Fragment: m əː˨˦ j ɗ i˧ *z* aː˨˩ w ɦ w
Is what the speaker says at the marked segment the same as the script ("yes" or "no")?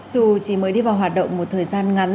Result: no